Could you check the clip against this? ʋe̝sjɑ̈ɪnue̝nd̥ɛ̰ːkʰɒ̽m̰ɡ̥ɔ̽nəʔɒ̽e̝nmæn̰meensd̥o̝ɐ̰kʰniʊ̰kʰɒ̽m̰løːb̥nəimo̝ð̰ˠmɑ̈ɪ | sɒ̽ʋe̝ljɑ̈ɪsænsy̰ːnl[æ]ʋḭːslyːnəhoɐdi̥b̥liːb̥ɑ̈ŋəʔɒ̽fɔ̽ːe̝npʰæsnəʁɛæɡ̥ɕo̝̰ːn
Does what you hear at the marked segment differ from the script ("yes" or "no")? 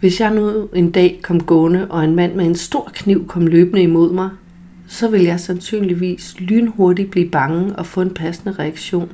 yes